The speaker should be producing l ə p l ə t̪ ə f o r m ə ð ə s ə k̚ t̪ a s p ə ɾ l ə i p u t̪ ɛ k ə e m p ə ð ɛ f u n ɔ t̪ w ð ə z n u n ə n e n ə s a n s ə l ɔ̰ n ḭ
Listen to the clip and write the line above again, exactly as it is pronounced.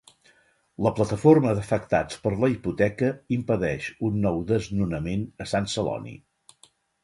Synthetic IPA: l ə p l ə t̪ ə f o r m ə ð ə f ə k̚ t̪ a t͡s p ə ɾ l ə i p u t̪ ɛ k ə i m p ə ð ɛ ʃ u nː ɔ w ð ə z n u n ə m e n ə s a n s ə l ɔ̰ n ḭ